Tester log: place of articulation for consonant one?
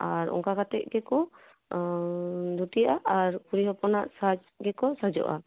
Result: alveolar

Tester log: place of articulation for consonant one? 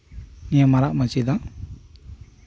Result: alveolar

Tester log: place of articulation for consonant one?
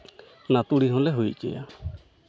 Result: alveolar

